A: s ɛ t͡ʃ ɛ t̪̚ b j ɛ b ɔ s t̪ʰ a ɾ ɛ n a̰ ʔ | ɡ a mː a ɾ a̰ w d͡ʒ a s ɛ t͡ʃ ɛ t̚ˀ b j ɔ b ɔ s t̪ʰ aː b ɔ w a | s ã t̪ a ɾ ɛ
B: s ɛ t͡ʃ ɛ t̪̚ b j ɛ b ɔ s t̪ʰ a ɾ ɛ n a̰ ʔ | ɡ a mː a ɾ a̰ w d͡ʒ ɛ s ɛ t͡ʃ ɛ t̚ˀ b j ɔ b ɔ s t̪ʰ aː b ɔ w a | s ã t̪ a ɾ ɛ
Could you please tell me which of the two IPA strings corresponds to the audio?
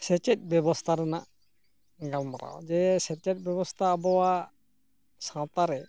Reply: B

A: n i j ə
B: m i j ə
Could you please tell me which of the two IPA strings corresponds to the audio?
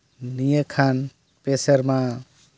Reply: A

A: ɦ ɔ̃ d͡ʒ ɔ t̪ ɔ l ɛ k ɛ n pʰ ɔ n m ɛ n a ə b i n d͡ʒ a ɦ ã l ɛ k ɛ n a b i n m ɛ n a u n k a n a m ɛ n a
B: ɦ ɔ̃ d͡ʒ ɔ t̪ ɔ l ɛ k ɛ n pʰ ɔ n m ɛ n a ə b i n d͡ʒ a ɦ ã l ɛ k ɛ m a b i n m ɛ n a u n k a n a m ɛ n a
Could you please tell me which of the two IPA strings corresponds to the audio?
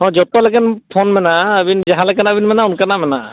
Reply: A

